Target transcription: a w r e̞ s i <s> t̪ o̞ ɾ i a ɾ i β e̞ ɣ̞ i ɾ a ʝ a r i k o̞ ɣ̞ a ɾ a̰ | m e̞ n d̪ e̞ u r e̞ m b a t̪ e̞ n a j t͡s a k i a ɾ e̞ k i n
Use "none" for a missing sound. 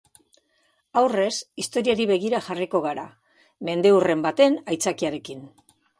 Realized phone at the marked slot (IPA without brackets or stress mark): s